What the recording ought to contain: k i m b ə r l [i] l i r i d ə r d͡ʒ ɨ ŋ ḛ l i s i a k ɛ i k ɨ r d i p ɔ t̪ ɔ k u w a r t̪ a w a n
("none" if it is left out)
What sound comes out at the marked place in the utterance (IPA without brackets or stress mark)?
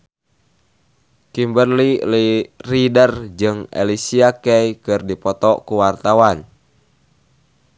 i